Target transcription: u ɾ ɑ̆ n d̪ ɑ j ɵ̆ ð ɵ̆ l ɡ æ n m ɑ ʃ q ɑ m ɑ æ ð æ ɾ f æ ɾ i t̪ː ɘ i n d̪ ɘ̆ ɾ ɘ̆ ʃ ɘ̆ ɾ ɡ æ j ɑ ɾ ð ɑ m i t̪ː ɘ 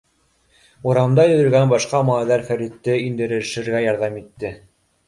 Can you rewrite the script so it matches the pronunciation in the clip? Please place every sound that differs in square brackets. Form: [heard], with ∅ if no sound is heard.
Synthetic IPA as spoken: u ɾ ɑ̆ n d̪ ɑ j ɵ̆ ð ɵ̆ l ɡ æ n [b] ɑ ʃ q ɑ m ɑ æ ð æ ɾ f æ ɾ i t̪ː ɘ i n d̪ ɘ̆ ɾ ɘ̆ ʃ ɘ̆ ɾ ɡ æ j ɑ ɾ ð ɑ m i t̪ː ɘ